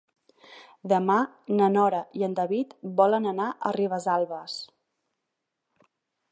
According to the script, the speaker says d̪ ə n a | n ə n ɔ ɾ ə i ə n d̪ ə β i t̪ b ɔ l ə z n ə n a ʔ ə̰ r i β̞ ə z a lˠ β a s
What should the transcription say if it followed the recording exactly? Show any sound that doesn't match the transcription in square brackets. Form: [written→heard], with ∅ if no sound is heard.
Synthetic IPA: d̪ ə [n→m] a | n ə n ɔ ɾ ə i ə n d̪ ə β i t̪ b ɔ l ə [z→∅] n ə n a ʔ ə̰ r i β̞ ə z a lˠ β [a→ə] s